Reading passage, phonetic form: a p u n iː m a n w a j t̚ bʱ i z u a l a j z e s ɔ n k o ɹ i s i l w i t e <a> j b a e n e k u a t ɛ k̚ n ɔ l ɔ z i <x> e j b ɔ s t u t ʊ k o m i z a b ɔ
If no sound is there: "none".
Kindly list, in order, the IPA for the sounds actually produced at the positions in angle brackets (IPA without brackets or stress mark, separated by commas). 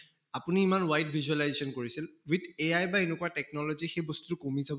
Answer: a, x